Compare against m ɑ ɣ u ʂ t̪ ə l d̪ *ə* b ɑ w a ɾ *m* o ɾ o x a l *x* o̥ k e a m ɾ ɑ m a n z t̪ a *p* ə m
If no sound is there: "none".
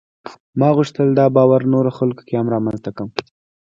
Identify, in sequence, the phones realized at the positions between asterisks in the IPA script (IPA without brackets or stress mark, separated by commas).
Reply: ɑ, n, k, k